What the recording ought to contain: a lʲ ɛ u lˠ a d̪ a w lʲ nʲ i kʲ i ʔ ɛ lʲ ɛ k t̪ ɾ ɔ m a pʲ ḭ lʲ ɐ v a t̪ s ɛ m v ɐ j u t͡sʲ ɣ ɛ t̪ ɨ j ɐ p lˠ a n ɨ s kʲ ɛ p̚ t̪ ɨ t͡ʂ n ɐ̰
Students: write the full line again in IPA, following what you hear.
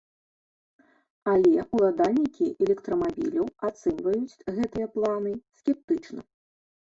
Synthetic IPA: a lʲ ɛ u lˠ a d̪ a lʲ nʲ i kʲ i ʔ ɛ lʲ ɛ k t̪ ɾ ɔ m a bʲ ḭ lʲ ɐ w a t̪ s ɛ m v ɐ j u t͡sʲ ɣ ɛ t̪ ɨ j ɐ p lˠ a n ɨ s kʲ ɛ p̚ t̪ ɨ t͡ʂ n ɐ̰